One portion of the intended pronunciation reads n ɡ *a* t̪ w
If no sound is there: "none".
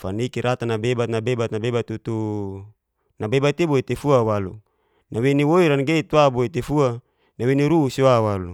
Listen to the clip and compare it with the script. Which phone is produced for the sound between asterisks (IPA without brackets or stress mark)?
e